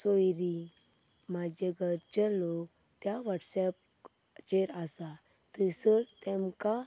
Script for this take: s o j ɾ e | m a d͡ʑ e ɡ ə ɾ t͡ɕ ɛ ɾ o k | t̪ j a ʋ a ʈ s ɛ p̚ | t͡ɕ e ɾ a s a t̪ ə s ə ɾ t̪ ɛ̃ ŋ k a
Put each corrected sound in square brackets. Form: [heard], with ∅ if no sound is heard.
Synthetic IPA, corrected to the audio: s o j ɾ [i] | m a d͡ʑ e ɡ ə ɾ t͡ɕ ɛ [l] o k | t̪ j a ʋ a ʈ s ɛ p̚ | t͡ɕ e ɾ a s a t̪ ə s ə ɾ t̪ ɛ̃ [m] k a